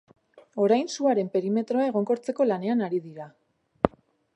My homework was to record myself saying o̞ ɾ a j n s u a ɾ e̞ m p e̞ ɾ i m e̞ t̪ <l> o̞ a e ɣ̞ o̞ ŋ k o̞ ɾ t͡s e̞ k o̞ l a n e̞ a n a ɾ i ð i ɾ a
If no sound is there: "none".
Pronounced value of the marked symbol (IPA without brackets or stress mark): ɾ